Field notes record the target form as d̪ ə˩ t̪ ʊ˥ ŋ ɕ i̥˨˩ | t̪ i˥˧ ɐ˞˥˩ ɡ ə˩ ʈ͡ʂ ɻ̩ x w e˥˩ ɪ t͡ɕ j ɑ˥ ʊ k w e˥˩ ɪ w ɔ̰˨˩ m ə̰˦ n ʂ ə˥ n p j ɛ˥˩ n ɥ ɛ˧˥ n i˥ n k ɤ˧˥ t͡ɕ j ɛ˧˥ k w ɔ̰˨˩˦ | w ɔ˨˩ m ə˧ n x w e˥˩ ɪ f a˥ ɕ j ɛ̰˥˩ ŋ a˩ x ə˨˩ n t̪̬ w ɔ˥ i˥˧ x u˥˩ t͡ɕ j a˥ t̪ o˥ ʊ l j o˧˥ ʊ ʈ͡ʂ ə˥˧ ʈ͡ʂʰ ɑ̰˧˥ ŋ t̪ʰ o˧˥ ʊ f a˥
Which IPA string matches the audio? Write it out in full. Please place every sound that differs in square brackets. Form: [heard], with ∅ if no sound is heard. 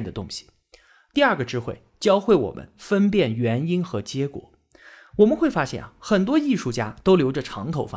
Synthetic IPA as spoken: d̪ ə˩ t̪ ʊ˥ ŋ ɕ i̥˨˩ | t̪ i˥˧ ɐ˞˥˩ ɡ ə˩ ʈ͡ʂ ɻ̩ x w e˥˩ ɪ t͡ɕ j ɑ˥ ʊ [x] w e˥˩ ɪ w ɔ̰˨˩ m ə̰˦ n [f] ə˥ n p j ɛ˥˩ n ɥ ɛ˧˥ n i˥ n [x] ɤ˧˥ t͡ɕ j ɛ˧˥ k w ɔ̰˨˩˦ | w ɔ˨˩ m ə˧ n x w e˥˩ ɪ f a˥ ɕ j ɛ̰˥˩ [n] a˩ x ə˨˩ n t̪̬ w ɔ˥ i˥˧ [ʂ] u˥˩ t͡ɕ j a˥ t̪ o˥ ʊ l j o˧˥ ʊ ʈ͡ʂ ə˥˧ ʈ͡ʂʰ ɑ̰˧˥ ŋ t̪ʰ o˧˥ ʊ f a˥